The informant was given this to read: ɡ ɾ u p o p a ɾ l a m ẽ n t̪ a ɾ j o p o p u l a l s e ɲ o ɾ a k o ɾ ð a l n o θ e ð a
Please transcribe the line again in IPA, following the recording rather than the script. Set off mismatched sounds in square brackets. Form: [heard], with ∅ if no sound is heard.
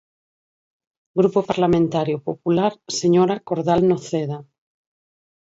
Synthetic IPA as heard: ɡ ɾ u p o p a ɾ l a m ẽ n t̪ a ɾ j o p o p u l a [ɾ] s e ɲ o ɾ a k o ɾ ð a l n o θ e ð a